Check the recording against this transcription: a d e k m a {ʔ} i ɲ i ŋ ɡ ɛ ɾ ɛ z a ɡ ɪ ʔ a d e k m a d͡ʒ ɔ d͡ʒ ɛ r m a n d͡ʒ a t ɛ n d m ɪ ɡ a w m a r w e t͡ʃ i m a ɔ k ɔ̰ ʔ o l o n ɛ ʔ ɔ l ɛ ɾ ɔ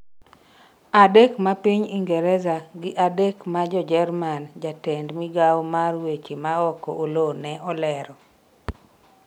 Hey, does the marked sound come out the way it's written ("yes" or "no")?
no